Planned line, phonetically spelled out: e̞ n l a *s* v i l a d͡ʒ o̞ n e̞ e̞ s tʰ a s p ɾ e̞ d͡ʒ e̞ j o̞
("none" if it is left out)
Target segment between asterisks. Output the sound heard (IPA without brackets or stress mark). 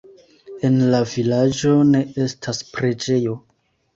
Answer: none